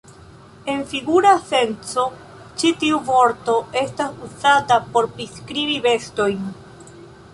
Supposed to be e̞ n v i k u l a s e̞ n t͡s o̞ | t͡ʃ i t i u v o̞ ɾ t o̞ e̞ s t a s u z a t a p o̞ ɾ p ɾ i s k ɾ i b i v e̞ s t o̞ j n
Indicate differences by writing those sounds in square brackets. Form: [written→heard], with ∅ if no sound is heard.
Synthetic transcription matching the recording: e̞ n [v→f] i [k→ɡ] u [l→ɾ] a s e̞ n t͡s o̞ | t͡ʃ i t i u v o̞ ɾ t o̞ e̞ s t a s u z a t a p o̞ ɾ p ɾ i s k ɾ i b i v e̞ s t o̞ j n